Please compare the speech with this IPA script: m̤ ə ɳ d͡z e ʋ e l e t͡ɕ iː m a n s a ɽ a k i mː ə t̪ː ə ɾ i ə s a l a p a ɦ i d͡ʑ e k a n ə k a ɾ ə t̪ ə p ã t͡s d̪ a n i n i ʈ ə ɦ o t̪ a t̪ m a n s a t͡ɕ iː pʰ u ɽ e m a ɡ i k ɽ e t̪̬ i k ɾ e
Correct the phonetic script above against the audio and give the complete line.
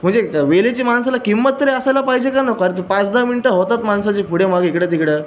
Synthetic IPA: m̤ ə ɳ d͡z e ʋ e l e t͡ɕ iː m a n s a l a k i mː ə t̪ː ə ɾ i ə s a l a p a ɦ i d͡ʑ e k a n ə k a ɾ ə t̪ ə p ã t͡s d̪ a m i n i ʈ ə ɦ o t̪ a t̪ m a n s a t͡ɕ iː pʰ u ɽ e m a ɡ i k ɽ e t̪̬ i k ɽ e

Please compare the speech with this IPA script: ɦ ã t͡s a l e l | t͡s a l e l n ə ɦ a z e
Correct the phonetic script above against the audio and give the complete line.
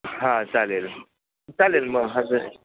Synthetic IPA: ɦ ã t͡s a l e l | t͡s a l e l m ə ɦ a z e

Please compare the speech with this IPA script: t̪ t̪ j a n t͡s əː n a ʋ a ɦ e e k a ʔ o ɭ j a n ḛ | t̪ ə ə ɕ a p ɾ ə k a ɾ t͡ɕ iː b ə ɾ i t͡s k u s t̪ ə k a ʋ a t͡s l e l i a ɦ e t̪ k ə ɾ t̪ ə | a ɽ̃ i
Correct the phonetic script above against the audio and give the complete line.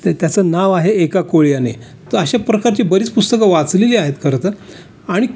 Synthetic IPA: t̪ t̪ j a t͡s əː n a ʋ a ɦ e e k a k o ɭ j a n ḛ | t̪ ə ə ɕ a p ɾ ə k a ɾ t͡ɕ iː b ə ɾ i t͡s p u s t̪ ə k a ʋ a t͡s l e l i a ɦ e t̪ k ə ɾ t̪ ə | a ɽ̃ i

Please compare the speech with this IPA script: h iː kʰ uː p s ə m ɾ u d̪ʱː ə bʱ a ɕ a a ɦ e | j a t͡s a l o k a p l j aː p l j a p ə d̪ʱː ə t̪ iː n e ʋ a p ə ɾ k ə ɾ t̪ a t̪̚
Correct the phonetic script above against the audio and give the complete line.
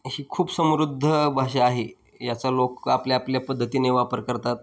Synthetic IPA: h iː kʰ uː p s ə m ɾ u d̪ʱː ə bʱ a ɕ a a ɦ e | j a t͡s a l o k a p l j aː p l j a p ə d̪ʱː ə t̪ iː n e ʋ a p ə ɾ k ə ɾ t̪ a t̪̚

